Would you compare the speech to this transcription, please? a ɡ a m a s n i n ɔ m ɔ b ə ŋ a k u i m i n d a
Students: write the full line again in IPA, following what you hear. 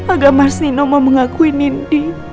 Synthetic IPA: a ɡ a m a s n i n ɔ m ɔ m ə ŋ a k u i n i n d i